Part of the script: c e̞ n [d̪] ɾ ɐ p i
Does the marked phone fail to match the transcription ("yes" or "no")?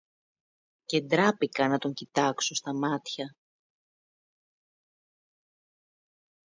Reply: no